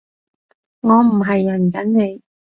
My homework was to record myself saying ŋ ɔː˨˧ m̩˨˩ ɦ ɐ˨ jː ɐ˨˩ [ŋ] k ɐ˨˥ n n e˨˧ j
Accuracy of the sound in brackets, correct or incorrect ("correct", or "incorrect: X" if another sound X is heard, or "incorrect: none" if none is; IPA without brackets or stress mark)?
incorrect: n